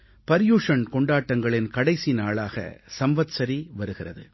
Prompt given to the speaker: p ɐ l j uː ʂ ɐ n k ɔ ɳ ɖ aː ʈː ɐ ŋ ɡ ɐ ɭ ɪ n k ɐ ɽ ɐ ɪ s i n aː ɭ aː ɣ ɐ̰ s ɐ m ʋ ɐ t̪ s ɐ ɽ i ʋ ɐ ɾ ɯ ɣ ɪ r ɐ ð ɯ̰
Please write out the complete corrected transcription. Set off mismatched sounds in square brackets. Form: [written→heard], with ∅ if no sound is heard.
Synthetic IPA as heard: p ɐ [l→ɾ] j uː ʂ ɐ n k ɔ ɳ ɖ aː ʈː ɐ ŋ ɡ ɐ ɭ ɪ n k ɐ ɽ ɐ ɪ s i n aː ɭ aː ɣ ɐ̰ s ɐ m ʋ ɐ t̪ s ɐ [ɽ→ɾ] i ʋ ɐ ɾ ɯ ɣ ɪ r ɐ ð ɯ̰